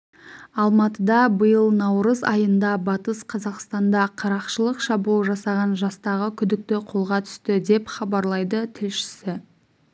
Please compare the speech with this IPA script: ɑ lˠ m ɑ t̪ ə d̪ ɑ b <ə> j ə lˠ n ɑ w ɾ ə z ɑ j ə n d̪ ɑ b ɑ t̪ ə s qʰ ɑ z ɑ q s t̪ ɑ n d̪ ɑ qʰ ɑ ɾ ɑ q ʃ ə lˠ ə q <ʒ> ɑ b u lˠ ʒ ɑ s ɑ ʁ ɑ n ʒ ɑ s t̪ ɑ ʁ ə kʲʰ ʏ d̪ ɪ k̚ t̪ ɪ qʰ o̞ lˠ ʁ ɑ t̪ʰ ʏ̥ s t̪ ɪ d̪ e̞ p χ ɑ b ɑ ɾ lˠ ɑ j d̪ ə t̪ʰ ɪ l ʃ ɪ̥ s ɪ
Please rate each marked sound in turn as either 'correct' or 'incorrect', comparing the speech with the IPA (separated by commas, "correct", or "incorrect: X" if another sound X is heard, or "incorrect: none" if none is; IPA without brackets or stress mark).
correct, incorrect: ʃ